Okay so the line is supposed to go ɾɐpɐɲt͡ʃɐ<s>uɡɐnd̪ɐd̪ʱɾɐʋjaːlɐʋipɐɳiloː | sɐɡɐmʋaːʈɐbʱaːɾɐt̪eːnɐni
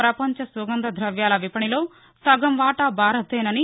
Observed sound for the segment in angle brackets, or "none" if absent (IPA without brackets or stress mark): s